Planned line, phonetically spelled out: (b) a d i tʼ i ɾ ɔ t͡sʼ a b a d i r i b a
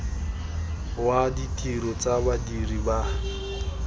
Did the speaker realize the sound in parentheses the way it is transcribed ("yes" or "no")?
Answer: no